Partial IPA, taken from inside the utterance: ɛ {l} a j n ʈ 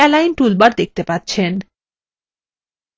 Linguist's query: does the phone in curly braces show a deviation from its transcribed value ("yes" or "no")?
no